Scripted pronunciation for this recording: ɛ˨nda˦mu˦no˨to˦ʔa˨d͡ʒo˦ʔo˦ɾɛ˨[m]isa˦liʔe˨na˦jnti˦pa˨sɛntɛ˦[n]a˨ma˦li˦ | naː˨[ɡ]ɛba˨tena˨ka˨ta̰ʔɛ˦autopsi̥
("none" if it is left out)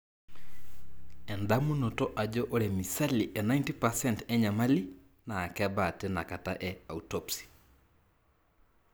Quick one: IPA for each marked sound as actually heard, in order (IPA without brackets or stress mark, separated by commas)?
m, ɲ, k